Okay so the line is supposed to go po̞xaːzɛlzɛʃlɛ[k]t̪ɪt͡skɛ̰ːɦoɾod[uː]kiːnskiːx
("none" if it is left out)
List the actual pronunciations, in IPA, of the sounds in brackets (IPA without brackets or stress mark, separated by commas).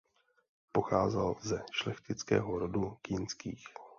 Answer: x, u